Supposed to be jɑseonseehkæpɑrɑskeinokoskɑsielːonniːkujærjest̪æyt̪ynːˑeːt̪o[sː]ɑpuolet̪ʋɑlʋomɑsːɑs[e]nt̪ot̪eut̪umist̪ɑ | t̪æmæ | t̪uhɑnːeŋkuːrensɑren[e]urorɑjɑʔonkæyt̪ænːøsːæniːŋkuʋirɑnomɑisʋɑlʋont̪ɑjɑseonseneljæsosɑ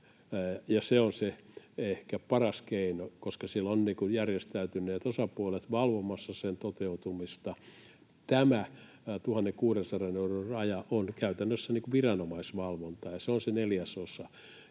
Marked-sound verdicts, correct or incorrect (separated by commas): incorrect, correct, correct